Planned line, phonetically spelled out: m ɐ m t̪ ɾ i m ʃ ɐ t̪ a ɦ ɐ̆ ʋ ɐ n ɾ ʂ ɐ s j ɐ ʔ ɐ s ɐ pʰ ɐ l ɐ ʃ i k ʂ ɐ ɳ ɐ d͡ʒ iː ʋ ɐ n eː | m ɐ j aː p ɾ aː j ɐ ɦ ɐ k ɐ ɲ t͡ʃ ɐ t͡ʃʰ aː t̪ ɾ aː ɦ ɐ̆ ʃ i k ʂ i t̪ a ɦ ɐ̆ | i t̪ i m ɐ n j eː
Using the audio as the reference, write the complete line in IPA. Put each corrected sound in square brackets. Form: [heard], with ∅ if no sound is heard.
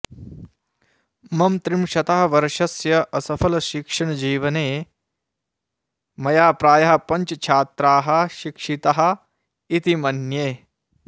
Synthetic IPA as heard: m ɐ m t̪ ɾ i m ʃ ɐ t̪ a ɦ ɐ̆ ʋ ɐ [∅] ɾ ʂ ɐ s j ɐ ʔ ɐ s ɐ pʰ ɐ l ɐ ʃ i k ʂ ɐ ɳ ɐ d͡ʒ iː ʋ ɐ n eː | m ɐ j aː p ɾ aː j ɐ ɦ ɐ [p] ɐ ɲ t͡ʃ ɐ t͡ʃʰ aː t̪ ɾ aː ɦ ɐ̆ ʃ i k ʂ i t̪ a ɦ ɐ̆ | i t̪ i m ɐ n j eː